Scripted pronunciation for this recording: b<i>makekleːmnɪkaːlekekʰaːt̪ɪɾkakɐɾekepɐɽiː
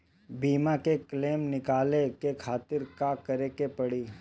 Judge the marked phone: incorrect: iː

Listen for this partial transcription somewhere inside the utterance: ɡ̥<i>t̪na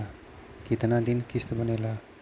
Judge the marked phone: correct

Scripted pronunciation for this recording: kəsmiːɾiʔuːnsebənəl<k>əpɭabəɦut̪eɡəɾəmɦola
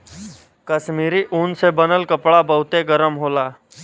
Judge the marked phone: correct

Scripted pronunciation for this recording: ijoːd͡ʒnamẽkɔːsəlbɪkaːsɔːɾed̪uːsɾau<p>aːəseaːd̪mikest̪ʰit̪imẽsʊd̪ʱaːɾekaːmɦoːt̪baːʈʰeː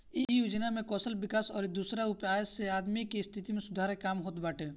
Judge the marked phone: correct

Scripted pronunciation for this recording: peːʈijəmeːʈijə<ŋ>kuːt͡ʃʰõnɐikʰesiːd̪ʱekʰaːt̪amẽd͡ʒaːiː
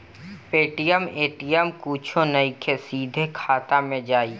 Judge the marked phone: incorrect: m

